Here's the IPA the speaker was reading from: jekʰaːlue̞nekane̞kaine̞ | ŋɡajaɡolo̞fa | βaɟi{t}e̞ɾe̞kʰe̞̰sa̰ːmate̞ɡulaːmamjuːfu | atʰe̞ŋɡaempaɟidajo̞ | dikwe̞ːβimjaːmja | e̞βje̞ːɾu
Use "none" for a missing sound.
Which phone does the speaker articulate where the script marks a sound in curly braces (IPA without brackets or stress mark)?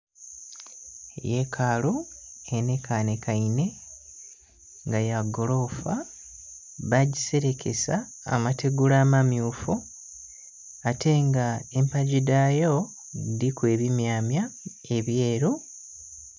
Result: s